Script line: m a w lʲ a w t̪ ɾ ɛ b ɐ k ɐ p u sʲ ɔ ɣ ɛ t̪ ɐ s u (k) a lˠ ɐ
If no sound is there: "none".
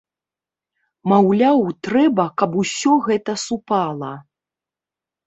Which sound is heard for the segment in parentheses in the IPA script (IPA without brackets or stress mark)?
p